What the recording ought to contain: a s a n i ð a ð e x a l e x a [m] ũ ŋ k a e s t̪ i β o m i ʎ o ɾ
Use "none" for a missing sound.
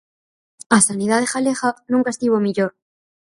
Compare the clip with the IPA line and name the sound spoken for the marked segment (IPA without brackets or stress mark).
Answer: n